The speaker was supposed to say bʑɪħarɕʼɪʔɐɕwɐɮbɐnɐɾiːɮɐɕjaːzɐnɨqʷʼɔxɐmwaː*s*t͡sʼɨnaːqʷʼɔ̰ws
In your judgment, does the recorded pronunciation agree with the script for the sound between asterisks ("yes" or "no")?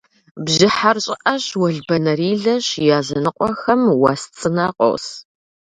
yes